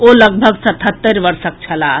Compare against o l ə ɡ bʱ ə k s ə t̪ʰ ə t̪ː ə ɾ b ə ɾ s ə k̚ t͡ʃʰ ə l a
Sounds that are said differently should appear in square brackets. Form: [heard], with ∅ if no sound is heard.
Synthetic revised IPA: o l ə ɡ bʱ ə [ɡ] s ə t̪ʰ ə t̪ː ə ɾ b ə ɾ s ə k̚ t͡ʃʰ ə l a